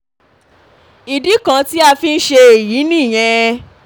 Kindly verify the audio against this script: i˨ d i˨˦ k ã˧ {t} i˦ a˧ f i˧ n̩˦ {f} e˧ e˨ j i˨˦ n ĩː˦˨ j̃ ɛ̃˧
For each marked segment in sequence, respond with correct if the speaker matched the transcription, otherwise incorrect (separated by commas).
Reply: correct, incorrect